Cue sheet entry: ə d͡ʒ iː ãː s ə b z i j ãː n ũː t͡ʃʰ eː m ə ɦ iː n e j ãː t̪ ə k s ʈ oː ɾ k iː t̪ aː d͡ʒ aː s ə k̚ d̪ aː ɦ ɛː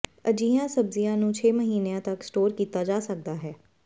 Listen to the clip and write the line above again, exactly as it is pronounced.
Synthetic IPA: ə d͡ʒ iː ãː s ə b z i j ãː n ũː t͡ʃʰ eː m ə ɦ iː n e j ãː t̪ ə k s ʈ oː ɾ k iː t̪ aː d͡ʒ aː s ə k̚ d̪ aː ɦ ɛː